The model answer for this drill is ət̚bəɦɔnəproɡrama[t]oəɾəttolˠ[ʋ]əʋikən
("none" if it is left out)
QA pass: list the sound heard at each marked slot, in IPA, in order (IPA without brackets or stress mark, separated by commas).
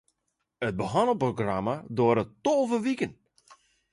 d, v